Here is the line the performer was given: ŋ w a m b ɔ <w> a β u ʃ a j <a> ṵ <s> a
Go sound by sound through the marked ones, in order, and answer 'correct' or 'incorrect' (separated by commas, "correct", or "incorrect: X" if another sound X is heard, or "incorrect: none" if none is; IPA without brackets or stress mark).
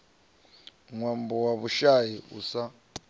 correct, incorrect: i, correct